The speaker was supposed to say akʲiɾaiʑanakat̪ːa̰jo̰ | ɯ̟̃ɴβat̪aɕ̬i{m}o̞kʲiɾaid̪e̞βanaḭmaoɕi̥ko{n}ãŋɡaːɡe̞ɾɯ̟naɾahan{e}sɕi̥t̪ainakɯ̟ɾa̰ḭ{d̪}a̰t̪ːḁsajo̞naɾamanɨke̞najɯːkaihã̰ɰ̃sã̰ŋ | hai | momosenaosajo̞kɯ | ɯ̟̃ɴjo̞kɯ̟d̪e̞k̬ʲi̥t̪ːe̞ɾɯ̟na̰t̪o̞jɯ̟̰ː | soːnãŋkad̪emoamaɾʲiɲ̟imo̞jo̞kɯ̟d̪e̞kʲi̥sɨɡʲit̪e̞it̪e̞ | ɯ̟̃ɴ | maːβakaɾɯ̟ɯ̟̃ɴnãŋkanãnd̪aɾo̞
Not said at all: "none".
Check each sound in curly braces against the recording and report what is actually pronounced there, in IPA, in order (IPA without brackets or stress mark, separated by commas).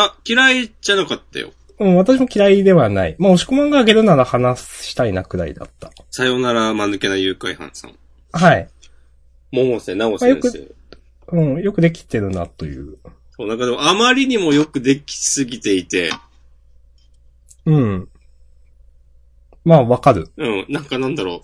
m, m, a, d̪